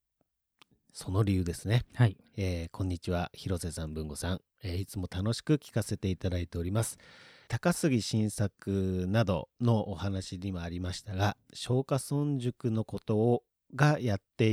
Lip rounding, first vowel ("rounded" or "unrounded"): rounded